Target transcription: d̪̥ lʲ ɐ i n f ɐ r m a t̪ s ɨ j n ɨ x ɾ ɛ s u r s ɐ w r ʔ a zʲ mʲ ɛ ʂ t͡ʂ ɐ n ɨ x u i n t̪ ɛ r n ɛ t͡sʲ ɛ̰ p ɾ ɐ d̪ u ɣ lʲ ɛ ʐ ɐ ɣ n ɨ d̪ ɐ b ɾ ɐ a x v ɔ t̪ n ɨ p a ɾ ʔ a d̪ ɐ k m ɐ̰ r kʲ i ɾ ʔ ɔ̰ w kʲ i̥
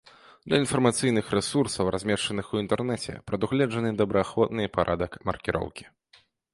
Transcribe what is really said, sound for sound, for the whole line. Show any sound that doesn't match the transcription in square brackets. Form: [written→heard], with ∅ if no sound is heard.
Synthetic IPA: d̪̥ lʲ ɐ i n f ɐ r m a t̪ s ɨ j n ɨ x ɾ ɛ s u r s ɐ w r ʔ a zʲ mʲ ɛ ʂ t͡ʂ ɐ n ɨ x u i n t̪ ɛ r n ɛ t͡sʲ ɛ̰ p ɾ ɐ d̪ u ɣ lʲ ɛ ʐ ɐ [ɣ→∅] n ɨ d̪ ɐ b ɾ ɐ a x v ɔ t̪ n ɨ p a ɾ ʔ a d̪ ɐ k m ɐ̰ r kʲ i ɾ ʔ ɔ̰ w kʲ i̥